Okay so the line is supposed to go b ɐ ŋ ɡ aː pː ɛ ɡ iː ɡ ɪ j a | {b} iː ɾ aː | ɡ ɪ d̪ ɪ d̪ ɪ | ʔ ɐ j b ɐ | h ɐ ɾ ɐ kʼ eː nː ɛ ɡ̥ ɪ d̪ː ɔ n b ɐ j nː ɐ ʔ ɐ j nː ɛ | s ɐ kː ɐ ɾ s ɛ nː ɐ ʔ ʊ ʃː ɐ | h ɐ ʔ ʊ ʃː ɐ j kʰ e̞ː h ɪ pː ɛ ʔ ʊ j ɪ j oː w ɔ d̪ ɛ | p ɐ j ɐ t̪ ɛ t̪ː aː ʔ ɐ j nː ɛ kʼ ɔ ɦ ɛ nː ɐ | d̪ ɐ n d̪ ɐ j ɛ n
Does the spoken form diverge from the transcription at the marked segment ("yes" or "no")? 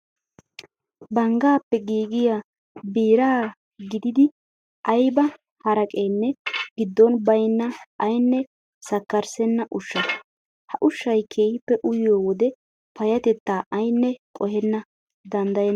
no